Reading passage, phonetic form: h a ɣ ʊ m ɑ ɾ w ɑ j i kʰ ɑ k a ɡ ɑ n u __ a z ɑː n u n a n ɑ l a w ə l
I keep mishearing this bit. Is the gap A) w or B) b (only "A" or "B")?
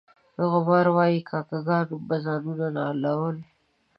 B